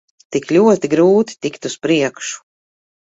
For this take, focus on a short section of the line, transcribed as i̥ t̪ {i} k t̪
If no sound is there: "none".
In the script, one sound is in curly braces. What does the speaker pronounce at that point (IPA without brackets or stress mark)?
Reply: i